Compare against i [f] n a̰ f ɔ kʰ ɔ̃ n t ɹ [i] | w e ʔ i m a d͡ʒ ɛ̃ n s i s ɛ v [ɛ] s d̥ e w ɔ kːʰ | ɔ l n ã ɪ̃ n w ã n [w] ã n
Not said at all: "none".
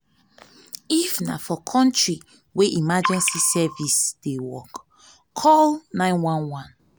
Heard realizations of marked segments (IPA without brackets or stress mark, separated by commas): f, i, i, w